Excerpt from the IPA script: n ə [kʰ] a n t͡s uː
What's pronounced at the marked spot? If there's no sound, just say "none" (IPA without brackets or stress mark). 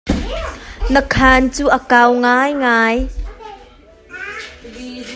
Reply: kʰ